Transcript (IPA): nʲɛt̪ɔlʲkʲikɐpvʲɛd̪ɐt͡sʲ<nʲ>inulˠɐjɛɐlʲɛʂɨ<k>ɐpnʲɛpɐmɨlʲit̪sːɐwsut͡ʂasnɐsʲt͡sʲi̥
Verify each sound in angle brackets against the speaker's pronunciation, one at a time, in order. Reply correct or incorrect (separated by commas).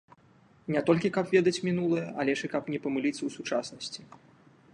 incorrect, correct